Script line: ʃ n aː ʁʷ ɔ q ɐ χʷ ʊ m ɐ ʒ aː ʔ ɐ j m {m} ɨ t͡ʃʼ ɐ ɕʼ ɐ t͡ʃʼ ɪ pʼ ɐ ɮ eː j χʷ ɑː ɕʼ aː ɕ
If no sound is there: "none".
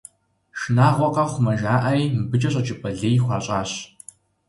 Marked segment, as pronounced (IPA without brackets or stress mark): b